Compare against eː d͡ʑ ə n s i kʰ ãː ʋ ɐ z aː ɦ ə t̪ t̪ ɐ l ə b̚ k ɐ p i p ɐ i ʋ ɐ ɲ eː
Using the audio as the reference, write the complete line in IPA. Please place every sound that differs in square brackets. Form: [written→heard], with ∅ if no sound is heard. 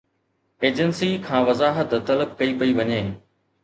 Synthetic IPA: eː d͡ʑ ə n s i kʰ ãː ʋ ɐ z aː ɦ ə t̪ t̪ ɐ l ə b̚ k ɐ [p→∅] i p ɐ i ʋ ɐ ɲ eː